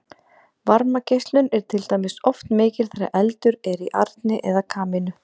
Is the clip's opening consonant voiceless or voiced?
voiced